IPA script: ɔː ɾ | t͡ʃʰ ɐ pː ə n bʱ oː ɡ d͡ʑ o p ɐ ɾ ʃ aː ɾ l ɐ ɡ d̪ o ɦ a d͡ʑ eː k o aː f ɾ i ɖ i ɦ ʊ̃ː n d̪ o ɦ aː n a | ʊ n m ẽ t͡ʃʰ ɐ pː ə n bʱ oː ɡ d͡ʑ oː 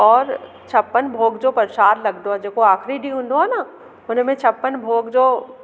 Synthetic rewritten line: ɔː ɾ | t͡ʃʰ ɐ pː ə n bʱ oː ɡ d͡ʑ o p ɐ ɾ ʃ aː ɾ l ɐ ɡ d̪ o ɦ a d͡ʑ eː k o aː x ɾ i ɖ i ɦ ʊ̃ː n d̪ o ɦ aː n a | ʊ n m ẽ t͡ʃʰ ɐ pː ə n bʱ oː ɡ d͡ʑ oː

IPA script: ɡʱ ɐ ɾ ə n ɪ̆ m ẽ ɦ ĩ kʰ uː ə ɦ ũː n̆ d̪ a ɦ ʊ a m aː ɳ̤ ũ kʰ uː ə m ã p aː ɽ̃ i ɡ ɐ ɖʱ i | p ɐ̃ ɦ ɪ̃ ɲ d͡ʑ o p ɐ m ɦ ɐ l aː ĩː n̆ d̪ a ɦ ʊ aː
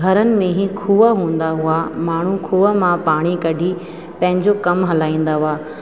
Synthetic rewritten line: ɡʱ ɐ ɾ ə n ɪ̆ m ẽ ɦ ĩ kʰ uː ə ɦ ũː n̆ d̪ a ɦ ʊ a m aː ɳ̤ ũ kʰ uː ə m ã p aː ɽ̃ i k ɐ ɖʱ i | p ɐ̃ ɦ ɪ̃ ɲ d͡ʑ o k ɐ m ɦ ɐ l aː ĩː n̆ d̪ a ɦ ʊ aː

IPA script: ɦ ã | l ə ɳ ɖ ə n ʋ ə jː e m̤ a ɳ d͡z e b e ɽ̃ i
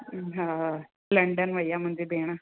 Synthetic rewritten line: ɦ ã | l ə ɳ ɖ ə n ʋ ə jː a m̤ ə ɳ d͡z e b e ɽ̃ a

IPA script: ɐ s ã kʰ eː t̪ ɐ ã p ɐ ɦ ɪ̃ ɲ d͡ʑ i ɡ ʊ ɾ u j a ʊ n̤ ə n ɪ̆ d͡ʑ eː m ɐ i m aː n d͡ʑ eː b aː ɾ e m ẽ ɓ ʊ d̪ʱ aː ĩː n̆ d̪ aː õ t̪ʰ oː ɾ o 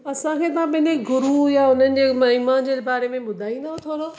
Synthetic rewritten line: ɐ s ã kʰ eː t̪ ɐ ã p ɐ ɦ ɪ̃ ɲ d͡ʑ e ɡ ʊ ɾ u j a ʊ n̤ ə n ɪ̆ d͡ʑ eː m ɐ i m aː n d͡ʑ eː b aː ɾ e m ẽ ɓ ʊ d̪ʱ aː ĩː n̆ d̪ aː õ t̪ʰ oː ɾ o

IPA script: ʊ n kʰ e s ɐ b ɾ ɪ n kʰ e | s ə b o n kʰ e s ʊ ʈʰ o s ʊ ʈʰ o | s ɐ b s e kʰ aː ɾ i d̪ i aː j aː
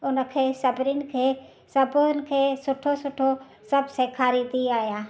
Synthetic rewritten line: ʊ n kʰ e s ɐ b ɾ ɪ n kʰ e | s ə b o n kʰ e s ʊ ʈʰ o s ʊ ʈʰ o | s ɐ b s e kʰ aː ɾ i d̪ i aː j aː

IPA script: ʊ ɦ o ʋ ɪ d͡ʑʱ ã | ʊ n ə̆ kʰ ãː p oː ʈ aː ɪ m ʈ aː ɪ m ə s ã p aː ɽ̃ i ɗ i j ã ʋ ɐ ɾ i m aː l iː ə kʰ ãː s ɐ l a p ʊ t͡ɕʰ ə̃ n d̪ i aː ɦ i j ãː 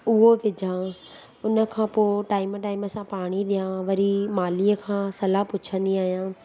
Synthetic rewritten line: ʊ ɦ o ʋ ɪ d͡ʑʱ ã | ʊ n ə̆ kʰ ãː p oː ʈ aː ɪ m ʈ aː ɪ m ə s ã p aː ɽ̃ i ɗ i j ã ʋ ɐ ɾ i m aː l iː ə kʰ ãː s ɐ l a p ʊ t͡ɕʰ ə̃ n d̪ i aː ɦ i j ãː

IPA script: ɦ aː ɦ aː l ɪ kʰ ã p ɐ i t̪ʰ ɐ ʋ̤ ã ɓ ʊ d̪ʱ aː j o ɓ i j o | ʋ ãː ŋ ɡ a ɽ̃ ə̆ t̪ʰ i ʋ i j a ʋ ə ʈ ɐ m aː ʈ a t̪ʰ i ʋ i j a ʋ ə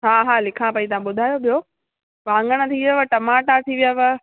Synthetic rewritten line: ɦ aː ɦ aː l ɪ kʰ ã p ɐ i t̪ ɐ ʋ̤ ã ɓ ʊ d̪ʱ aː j o ɓ i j o | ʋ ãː ŋ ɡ ə ɽ̃ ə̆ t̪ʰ i ʋ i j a ʋ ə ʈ ɐ m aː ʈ a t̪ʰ i ʋ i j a ʋ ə

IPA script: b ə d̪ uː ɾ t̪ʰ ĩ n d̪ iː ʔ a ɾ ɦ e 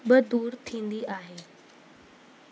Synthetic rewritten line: b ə d̪ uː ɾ t̪ʰ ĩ n d̪ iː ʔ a ɦ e

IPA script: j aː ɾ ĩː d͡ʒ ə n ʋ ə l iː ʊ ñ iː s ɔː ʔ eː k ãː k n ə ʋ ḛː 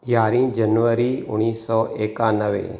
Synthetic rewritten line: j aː ɾ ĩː d͡ʒ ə n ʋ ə ɾ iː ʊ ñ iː s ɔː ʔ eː k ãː n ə ʋ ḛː

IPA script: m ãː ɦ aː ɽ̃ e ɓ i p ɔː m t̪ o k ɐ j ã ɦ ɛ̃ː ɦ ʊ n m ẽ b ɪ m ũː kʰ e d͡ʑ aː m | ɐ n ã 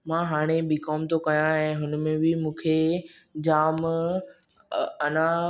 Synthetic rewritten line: m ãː ɦ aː ɽ̃ e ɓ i k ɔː m t̪ o k ɐ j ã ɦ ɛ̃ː ɦ ʊ n m ẽ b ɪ m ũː kʰ e d͡ʑ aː m | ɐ n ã

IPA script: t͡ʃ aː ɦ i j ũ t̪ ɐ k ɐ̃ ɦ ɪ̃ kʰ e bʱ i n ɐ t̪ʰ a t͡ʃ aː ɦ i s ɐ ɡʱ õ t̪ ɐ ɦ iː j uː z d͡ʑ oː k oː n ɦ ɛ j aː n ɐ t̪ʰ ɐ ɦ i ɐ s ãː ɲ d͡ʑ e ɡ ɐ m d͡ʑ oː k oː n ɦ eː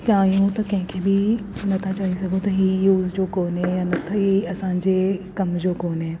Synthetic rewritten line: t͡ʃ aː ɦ i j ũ t̪ ɐ k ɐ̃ ɦ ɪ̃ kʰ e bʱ i n ɐ t̪ʰ a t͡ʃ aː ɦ i s ɐ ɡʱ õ t̪ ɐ ɦ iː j uː z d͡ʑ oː k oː n ɦ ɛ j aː n ɐ t̪ʰ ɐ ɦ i ɐ s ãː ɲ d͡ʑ e k ɐ m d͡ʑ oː k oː n ɦ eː

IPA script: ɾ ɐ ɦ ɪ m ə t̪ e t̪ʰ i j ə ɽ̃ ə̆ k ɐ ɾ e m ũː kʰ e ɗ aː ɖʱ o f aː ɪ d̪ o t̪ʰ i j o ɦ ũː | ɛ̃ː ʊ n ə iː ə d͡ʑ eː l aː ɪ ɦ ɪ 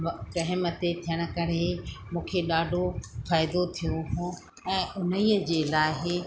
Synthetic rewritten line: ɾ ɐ ɦ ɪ m ə t̪ e t̪ʰ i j ə ɽ̃ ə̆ k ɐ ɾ e m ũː kʰ e ɗ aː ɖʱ o f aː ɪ d̪ o t̪ʰ i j o ɦ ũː | ɛ̃ː ʊ n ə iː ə d͡ʑ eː l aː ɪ ɦ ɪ

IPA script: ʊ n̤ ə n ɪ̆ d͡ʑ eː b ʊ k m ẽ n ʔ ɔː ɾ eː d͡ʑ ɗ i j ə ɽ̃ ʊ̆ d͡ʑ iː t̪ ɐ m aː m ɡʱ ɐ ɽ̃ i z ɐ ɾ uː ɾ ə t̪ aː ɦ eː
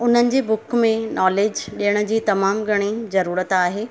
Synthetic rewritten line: ʊ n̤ ə n ɪ̆ d͡ʑ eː b ʊ k m ẽ n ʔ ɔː l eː d͡ʑ ɗ i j ə ɽ̃ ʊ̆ d͡ʑ iː t̪ ɐ m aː m ɡʱ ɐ ɽ̃ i z ɐ ɾ uː ɾ ə t̪ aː ɦ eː

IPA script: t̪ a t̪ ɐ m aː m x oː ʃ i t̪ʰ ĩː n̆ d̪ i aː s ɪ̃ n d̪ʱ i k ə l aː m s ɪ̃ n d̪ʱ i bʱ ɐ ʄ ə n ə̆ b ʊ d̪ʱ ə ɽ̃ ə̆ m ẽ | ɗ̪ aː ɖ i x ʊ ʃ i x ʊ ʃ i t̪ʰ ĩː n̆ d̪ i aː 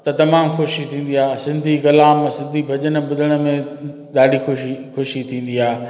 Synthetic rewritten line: t̪ ɐ t̪ ɐ m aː m x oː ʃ i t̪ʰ ĩː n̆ d̪ i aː s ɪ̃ n d̪ʱ i k ɐ l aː m s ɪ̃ n d̪ʱ i bʱ ɐ ʄ ə n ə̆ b ʊ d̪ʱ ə ɽ̃ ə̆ m ẽ | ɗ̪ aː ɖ i x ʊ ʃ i x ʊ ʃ i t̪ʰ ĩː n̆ d̪ i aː

